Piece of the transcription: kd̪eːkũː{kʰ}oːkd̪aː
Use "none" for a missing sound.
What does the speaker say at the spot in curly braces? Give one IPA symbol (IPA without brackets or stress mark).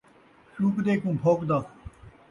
pʰ